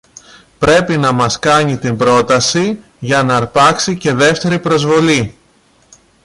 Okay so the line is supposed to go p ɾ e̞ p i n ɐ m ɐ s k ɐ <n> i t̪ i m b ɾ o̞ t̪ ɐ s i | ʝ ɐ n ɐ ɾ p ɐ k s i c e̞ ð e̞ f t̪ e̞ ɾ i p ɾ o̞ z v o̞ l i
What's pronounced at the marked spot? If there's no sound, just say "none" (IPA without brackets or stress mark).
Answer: ɲ